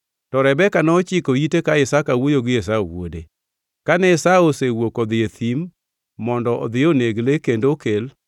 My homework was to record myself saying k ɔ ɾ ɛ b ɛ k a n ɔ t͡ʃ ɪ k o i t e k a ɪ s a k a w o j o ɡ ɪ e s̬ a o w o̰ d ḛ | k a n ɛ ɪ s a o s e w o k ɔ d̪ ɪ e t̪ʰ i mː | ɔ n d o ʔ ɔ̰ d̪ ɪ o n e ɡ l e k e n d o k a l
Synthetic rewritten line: t ɔ ɾ ɛ b ɛ k a n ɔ t͡ʃ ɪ k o i t e k a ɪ s a k a w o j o ɡ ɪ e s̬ a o w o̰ d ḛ | k a n ɛ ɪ s a o s e w o k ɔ d̪ ɪ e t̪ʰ i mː | ɔ n d ɔ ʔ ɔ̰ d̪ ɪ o n e ɡ l e k e n d o k e l